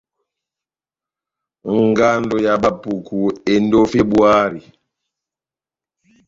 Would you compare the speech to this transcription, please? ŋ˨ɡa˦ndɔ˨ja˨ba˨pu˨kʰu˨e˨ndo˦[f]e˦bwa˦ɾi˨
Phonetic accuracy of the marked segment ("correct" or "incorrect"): correct